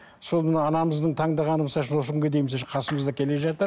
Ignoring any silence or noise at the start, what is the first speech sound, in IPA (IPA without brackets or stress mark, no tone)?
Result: s